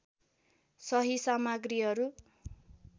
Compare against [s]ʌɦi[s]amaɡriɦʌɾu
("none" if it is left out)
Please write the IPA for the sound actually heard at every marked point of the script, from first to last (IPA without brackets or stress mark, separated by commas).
s, s